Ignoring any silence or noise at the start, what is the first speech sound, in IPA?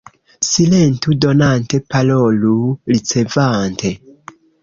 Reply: s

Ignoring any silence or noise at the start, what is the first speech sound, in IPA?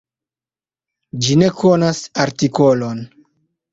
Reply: d͡ʒ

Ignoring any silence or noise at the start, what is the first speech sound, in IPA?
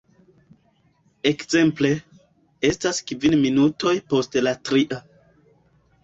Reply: e̞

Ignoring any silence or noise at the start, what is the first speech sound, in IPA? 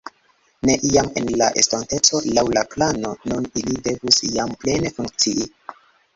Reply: n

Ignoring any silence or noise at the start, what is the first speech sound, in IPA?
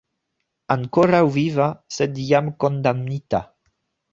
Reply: a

